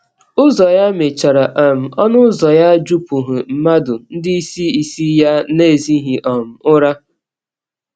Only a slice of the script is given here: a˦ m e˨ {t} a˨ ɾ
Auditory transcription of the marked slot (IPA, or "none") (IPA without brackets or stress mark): t͡ʃ